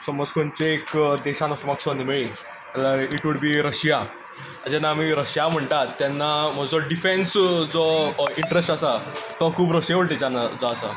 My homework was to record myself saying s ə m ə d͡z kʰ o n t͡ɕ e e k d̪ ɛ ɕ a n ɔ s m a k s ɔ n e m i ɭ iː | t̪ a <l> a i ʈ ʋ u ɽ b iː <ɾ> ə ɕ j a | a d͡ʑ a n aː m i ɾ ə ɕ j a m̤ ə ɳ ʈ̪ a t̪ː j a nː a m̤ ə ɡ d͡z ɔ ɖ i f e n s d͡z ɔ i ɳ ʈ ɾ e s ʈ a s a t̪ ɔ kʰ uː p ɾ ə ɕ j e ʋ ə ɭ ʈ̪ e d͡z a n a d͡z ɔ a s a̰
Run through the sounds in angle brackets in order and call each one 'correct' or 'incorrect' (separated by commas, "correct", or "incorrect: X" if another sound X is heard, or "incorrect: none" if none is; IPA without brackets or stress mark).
correct, correct